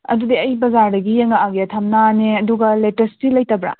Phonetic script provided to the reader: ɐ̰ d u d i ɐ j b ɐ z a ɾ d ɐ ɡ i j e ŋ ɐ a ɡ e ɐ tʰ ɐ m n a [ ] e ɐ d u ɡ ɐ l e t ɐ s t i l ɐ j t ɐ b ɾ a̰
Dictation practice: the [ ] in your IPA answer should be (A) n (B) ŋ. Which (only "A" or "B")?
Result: A